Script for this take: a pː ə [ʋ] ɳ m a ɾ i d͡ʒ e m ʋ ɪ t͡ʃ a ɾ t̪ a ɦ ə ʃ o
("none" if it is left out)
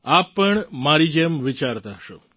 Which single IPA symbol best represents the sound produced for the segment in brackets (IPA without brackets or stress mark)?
none